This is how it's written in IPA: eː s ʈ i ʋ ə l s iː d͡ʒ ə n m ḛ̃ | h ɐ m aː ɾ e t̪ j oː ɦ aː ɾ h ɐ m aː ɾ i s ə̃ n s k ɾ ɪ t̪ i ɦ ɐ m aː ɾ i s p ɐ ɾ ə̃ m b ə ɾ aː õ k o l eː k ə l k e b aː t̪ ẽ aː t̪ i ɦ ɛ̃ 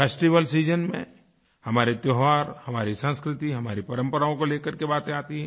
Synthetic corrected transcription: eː s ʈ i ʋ ə l s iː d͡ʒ ə n m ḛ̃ | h ɐ m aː ɾ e t̪ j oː ɦ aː ɾ h ɐ m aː ɾ i s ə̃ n s k ɾ ɪ t̪ i ɦ ɐ m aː ɾ i p ɐ ɾ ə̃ m p ə ɾ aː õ k o l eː k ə ɾ k e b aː t̪ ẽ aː t̪ i ɦ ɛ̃